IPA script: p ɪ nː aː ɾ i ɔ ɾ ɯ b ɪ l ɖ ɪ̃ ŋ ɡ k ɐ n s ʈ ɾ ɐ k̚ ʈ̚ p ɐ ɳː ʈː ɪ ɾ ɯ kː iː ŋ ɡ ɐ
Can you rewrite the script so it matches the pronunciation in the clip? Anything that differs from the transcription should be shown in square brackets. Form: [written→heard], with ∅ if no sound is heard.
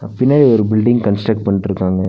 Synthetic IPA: p ɪ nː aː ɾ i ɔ ɾ ɯ b ɪ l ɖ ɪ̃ ŋ ɡ k ɐ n s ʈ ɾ ɐ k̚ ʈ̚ p ɐ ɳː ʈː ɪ ɾ ɯ kː [iː→aː] ŋ ɡ ɐ